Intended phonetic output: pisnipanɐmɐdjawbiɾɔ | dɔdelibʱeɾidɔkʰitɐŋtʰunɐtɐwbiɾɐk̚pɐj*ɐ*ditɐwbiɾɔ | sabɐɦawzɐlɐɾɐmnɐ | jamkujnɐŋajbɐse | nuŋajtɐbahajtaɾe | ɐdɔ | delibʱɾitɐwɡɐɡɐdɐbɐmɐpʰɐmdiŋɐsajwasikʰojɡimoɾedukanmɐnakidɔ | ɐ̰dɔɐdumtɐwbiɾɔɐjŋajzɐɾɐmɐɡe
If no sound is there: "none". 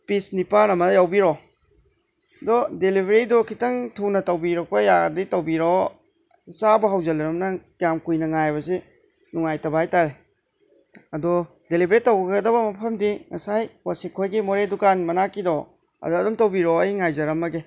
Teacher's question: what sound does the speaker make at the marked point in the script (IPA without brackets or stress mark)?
a